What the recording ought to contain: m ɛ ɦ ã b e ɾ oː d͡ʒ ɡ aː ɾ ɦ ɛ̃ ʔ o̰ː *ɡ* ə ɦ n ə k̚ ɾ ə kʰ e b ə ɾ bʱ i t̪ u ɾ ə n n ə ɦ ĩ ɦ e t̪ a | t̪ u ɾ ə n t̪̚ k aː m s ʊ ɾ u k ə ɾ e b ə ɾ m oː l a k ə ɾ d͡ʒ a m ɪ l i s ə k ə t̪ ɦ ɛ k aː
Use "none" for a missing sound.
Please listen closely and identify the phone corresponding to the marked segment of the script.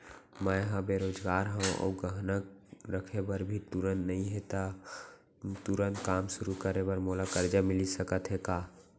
ɡ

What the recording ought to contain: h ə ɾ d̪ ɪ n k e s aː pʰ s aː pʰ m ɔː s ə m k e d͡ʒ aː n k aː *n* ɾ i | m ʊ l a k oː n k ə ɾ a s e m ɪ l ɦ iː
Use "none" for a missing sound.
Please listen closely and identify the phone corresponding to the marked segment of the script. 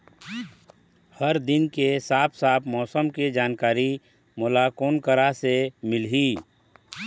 none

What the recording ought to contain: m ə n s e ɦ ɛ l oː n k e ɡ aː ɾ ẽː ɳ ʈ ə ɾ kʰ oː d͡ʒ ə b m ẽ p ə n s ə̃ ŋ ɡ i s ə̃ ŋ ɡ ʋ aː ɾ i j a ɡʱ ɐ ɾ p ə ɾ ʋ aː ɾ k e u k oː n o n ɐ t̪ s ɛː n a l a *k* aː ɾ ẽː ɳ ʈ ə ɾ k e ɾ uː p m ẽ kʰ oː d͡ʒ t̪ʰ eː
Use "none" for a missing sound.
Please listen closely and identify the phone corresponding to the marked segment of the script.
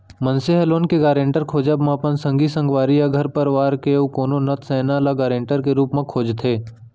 ɡ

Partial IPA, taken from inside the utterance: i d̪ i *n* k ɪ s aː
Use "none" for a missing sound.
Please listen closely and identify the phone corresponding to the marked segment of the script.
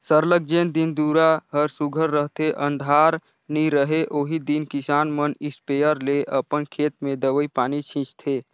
n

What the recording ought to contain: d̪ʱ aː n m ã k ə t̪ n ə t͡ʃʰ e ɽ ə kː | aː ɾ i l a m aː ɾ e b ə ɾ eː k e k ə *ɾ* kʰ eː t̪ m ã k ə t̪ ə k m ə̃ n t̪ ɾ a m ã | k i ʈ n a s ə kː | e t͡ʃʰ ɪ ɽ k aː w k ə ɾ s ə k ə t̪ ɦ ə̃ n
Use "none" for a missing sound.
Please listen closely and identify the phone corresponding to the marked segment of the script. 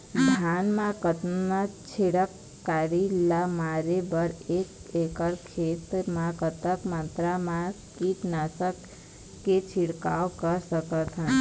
ɾ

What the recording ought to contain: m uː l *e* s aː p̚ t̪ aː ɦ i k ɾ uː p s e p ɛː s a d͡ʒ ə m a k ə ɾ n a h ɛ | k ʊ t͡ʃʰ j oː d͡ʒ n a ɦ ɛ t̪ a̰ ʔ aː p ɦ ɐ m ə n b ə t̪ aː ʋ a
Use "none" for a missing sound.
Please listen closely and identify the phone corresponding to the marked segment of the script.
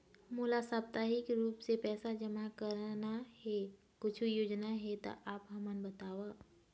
a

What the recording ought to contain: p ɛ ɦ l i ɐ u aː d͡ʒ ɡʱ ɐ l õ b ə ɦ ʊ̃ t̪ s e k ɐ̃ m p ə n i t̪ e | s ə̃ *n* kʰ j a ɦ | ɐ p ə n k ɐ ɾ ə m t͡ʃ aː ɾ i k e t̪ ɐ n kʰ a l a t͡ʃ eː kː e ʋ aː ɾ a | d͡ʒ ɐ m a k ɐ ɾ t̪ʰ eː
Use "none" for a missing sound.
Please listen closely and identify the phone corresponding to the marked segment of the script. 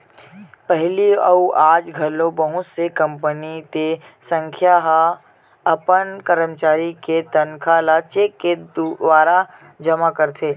ŋ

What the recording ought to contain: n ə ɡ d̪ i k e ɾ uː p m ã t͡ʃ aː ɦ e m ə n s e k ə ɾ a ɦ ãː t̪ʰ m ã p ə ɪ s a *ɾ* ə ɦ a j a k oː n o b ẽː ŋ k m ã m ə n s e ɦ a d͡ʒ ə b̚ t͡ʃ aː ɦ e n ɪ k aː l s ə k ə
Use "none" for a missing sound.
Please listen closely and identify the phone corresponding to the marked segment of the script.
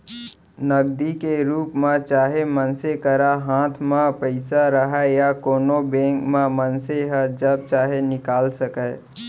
ɾ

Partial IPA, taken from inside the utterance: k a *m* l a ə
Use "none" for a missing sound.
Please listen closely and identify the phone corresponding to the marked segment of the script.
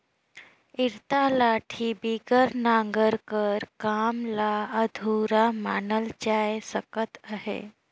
m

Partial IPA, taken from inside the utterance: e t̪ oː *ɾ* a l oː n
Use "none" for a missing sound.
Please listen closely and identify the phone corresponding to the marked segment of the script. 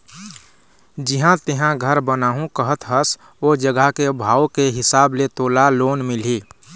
l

